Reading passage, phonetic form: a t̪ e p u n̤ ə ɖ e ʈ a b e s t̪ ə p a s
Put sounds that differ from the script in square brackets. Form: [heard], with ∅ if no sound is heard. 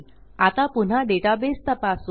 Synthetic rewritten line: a t̪ [a] p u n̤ [a] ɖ e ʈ a b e s t̪ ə p a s